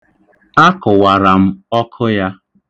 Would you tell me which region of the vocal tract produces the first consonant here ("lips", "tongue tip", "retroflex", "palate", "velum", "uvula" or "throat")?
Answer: velum